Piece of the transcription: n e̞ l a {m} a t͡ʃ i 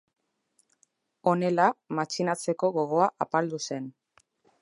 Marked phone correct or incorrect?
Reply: correct